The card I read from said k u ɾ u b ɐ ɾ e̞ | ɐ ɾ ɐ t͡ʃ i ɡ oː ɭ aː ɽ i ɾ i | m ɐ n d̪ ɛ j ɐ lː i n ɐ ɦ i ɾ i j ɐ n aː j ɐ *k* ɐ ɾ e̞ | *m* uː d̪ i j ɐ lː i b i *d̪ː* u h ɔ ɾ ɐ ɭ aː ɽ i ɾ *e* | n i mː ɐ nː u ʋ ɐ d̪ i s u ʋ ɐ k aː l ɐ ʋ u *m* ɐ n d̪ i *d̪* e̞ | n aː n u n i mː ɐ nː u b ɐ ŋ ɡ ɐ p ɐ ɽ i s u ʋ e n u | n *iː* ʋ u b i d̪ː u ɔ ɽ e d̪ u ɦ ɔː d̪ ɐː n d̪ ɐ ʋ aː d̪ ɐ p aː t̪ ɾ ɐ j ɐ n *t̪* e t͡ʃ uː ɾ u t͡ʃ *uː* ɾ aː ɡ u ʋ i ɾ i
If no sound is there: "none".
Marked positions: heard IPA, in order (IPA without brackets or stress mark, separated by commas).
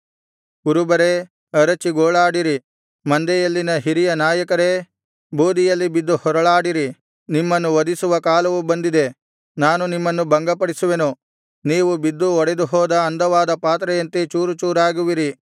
k, b, d̪ː, i, b, d̪, iː, t̪, uː